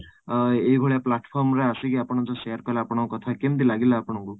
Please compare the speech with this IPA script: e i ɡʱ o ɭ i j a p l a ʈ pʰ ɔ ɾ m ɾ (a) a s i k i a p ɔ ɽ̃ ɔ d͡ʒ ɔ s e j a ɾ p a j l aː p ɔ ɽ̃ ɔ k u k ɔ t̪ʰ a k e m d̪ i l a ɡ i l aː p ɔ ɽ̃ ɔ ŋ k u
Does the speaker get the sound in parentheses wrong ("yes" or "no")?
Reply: yes